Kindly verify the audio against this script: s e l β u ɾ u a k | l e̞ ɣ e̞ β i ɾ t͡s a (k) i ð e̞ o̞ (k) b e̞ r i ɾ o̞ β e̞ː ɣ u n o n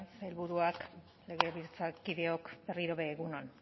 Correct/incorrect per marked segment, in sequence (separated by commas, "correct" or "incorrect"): correct, correct